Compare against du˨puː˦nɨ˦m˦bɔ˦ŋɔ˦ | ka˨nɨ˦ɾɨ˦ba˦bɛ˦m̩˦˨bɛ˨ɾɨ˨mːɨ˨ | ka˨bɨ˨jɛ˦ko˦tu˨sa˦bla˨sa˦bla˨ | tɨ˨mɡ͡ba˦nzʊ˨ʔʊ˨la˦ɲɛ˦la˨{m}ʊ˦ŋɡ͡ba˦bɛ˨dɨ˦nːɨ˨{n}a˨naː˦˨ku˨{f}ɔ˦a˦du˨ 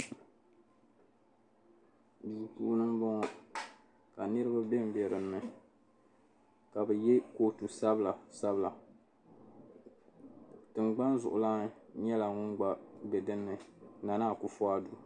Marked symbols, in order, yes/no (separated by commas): no, yes, yes